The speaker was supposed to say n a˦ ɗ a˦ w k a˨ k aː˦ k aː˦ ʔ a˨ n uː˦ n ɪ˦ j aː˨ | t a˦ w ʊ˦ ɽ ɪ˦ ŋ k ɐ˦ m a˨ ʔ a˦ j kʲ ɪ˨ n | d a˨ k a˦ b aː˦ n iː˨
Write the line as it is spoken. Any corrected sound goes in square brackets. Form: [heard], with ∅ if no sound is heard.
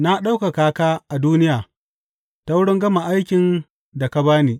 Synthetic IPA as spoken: n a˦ ɗ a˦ w k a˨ k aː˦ k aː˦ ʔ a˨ [d] uː˦ n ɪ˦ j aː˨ | t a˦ w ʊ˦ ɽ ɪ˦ ŋ [ɡ] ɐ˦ m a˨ ʔ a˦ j kʲ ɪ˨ n | d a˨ k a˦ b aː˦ n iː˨